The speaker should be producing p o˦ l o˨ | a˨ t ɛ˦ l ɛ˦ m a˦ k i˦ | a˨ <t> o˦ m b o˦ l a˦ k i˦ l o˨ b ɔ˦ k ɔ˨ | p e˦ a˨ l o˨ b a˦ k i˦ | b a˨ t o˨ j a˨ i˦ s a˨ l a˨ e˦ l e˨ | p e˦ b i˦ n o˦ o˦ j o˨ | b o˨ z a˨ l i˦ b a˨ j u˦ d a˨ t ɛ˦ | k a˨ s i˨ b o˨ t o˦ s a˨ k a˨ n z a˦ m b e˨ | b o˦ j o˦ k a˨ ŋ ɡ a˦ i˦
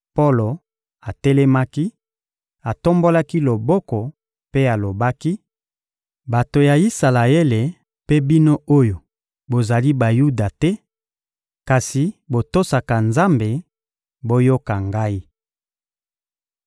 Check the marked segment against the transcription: correct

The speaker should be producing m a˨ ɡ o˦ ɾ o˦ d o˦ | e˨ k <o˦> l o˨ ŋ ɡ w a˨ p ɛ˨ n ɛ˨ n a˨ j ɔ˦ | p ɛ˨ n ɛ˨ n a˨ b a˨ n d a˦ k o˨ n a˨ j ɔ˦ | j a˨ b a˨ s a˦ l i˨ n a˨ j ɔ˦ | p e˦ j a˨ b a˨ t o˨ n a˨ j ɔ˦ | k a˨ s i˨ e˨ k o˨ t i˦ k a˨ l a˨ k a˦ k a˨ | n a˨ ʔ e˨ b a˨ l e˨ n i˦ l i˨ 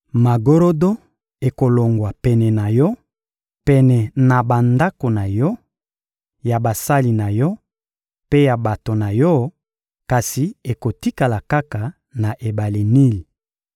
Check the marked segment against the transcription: incorrect: o˨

